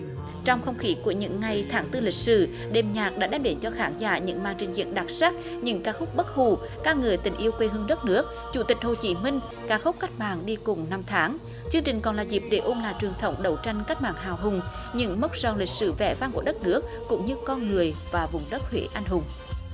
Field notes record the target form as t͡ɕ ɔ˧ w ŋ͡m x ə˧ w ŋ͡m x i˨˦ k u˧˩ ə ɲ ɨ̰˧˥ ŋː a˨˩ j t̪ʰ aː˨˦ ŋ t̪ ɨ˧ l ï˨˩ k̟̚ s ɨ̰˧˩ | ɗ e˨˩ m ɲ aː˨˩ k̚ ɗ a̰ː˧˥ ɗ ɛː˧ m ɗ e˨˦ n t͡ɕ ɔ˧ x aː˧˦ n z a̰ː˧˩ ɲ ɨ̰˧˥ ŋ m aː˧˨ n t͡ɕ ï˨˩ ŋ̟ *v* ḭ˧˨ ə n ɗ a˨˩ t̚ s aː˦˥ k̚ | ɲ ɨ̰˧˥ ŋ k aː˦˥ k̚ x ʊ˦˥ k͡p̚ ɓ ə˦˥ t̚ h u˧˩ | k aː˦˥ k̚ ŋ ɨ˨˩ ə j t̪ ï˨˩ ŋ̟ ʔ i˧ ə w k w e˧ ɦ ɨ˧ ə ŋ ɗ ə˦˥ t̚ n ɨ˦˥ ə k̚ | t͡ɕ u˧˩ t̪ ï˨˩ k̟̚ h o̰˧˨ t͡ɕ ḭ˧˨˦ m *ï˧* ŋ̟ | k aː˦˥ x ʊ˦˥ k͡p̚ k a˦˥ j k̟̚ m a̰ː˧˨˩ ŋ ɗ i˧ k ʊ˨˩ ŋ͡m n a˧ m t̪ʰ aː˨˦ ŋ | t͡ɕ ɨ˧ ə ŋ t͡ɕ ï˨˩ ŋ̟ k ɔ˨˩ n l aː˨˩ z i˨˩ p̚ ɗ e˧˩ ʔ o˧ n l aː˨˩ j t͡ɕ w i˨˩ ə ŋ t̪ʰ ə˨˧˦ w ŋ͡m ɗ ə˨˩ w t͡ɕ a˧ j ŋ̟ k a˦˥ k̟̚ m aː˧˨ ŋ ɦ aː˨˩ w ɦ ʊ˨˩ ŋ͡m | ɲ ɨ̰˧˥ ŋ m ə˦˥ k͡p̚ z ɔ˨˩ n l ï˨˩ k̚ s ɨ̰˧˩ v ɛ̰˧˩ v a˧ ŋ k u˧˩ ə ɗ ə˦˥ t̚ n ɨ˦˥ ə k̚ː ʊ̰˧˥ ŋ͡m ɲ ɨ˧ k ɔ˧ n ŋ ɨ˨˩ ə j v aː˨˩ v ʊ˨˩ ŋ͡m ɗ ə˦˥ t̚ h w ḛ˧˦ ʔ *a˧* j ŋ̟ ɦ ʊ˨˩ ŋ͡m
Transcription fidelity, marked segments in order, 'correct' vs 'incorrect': incorrect: z, correct, correct

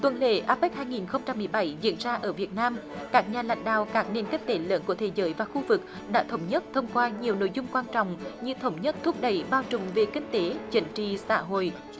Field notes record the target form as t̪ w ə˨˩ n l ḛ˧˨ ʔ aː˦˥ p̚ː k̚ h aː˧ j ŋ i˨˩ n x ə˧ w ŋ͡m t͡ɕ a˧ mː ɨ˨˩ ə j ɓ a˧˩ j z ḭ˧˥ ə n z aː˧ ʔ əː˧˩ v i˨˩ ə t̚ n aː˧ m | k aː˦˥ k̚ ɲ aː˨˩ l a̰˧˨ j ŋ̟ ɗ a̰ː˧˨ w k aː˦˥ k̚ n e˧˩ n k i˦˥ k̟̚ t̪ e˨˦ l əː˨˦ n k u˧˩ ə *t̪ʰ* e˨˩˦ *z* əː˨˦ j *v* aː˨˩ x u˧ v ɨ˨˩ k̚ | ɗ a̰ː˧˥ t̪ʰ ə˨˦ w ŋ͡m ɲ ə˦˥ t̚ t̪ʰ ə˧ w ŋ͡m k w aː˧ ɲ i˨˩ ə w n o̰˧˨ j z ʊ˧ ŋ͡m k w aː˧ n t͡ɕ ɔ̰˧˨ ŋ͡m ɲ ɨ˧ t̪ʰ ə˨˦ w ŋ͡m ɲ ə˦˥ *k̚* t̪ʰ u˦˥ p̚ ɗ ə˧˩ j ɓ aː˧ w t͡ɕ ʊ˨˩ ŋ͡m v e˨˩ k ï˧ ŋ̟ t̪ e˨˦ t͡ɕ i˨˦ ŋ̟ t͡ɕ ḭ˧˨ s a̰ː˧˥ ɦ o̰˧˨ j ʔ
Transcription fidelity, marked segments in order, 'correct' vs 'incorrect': correct, correct, correct, incorrect: t̚

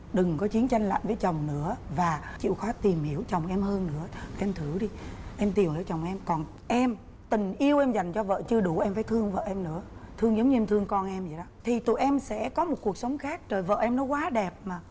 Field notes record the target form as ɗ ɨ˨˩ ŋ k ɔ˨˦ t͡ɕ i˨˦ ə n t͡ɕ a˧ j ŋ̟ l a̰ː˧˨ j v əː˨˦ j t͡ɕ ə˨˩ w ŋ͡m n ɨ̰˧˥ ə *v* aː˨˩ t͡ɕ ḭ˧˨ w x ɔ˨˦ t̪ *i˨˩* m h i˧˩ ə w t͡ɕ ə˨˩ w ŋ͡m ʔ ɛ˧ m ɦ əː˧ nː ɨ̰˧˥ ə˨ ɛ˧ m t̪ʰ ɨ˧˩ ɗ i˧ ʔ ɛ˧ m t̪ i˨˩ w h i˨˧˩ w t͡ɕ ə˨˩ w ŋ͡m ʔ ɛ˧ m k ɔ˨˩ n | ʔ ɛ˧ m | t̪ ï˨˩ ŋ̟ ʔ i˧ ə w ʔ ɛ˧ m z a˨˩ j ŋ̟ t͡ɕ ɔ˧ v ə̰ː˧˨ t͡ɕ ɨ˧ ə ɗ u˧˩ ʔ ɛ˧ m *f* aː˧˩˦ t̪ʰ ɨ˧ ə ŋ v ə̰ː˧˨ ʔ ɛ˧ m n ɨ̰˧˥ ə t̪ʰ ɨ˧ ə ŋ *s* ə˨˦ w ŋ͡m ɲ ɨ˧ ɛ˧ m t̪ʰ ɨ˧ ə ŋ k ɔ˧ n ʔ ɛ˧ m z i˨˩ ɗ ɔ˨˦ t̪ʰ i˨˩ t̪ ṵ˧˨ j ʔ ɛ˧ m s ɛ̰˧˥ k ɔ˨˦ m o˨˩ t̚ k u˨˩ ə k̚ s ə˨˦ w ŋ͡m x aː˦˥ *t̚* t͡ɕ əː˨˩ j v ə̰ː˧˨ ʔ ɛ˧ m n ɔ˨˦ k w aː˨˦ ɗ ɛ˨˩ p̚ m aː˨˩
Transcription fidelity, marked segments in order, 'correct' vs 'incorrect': correct, correct, correct, incorrect: z, incorrect: k̚

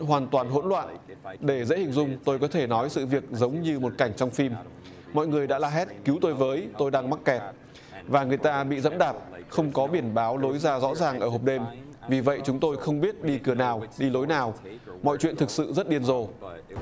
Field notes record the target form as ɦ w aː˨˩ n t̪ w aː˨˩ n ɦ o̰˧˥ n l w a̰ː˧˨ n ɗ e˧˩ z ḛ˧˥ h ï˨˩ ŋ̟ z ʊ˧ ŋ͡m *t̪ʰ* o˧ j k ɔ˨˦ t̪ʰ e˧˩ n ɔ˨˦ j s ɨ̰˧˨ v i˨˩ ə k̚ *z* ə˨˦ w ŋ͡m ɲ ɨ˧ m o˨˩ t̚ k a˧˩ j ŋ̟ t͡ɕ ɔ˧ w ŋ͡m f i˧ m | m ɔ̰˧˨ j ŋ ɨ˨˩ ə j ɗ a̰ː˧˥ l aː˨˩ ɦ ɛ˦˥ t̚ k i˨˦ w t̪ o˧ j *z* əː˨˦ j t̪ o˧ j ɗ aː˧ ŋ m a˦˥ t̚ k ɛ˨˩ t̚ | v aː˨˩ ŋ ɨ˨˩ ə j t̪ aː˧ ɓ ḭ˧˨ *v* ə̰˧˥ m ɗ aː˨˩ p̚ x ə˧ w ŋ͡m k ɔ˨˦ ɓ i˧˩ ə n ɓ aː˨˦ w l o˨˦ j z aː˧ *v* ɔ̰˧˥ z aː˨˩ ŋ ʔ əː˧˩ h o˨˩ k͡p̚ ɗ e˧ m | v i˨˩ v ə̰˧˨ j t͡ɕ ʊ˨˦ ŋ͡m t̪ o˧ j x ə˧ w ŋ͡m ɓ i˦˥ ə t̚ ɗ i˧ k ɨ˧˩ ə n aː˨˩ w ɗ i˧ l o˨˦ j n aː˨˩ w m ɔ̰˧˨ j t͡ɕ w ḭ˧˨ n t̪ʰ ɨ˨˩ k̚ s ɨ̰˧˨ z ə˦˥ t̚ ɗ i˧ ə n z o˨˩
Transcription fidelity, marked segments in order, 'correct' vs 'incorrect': incorrect: t̪, correct, incorrect: v, incorrect: z, incorrect: z

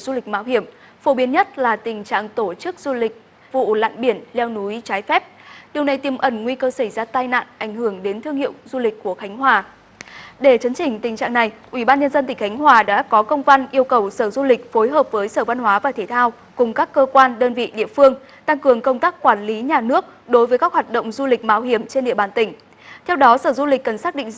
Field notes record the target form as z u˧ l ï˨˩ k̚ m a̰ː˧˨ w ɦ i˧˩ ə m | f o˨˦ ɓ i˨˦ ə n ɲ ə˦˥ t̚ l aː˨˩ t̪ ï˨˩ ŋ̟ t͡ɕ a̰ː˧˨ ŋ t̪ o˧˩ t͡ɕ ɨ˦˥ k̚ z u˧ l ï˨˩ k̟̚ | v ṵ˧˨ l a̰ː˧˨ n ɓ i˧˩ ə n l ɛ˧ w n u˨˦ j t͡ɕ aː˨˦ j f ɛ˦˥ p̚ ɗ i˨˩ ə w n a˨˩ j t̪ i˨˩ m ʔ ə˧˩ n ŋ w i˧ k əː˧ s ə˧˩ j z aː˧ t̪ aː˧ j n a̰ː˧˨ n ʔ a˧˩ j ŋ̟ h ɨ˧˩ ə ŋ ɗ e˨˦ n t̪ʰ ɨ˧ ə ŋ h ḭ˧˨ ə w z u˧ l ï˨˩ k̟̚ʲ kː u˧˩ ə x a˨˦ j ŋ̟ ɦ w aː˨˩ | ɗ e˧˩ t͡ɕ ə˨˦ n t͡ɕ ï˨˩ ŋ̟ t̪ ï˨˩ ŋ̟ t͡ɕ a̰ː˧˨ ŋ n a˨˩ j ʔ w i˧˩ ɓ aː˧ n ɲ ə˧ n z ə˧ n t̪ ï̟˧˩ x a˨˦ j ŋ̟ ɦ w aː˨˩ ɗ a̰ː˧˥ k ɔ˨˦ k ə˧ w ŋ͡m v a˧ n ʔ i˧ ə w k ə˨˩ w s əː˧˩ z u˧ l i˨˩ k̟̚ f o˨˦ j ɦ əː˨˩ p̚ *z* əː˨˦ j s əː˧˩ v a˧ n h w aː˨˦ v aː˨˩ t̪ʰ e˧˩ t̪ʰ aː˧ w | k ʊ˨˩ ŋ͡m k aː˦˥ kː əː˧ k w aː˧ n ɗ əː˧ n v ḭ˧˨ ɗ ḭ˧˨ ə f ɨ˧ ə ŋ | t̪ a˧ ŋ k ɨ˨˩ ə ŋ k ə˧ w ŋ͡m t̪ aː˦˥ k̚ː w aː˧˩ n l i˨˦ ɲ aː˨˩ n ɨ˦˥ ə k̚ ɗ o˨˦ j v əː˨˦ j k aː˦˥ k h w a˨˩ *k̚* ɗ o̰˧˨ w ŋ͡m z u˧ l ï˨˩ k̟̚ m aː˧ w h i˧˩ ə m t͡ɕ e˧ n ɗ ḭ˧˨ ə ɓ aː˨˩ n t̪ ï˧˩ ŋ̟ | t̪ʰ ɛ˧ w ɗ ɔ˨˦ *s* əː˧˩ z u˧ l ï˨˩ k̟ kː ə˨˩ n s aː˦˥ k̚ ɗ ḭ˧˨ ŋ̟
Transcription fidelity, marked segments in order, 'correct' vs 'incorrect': incorrect: v, incorrect: t̚, correct

